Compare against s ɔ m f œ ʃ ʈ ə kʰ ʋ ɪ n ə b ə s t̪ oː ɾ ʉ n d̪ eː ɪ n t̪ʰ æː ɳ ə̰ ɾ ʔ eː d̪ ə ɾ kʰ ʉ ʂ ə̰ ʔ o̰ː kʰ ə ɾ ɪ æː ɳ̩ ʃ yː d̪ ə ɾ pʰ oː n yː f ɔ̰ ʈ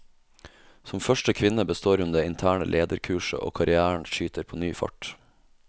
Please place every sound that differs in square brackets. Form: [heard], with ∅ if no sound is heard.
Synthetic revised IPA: s ɔ m f œ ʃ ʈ ə kʰ ʋ ɪ n ə b ə s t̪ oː ɾ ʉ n d̪ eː ɪ n t̪ʰ æː ɳ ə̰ [l] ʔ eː d̪ ə ɾ kʰ [ʉː] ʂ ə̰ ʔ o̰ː kʰ [ɑ] ɾ ɪ æː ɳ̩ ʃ yː [t̪] ə ɾ pʰ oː n yː f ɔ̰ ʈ

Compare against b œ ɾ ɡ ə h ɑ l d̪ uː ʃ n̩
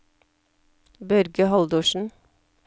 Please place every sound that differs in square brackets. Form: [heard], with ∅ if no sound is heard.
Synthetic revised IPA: b œ ɾ ɡ ə h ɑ l d̪ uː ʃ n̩

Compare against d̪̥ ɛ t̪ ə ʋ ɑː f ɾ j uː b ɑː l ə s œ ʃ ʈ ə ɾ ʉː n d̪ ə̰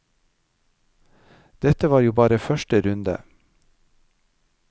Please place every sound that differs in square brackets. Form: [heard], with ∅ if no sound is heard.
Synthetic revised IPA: d̪̥ ɛ t̪ ə ʋ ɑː [∅] ɾ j uː b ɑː [ɾ] ə [f] œ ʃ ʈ ə ɾ [ʉ] n d̪ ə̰

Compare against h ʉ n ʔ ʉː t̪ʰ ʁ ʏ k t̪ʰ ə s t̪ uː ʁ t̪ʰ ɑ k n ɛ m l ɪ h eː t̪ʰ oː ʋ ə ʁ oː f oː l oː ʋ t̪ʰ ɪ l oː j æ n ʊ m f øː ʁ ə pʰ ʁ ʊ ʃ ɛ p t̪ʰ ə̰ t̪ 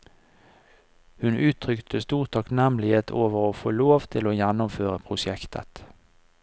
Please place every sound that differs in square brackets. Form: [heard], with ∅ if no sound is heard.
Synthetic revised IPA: h ʉ n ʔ ʉː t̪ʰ ʁ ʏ k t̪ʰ ə s t̪ uː ʁ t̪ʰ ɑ k n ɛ m l ɪ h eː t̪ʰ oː ʋ ə ʁ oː f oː l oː ʋ t̪ʰ ɪ l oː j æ n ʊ m f øː ʁ ə pʰ ʁ ʊ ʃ ɛ [k] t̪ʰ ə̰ t̪

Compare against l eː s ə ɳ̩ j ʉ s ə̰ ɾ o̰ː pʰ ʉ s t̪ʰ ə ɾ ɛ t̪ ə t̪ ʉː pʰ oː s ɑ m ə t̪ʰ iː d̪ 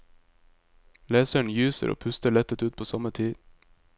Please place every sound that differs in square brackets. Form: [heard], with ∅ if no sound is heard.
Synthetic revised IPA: l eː s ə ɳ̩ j [ʉː] s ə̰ ɾ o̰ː pʰ ʉ s [t̪] ə [ɭ] ɛ t̪ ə t̪ ʉː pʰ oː s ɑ m ə t̪ʰ iː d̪

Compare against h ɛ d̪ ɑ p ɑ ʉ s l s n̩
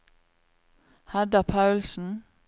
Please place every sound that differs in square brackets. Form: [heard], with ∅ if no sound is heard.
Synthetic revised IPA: h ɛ d̪ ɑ [pʰ] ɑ ʉ [∅] l s n̩

